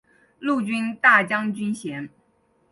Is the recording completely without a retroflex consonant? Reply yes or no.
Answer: yes